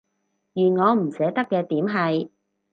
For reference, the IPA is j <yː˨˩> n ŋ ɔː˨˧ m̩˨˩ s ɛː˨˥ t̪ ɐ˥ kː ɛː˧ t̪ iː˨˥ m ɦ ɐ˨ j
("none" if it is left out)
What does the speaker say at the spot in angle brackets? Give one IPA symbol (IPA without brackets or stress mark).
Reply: yː˨˩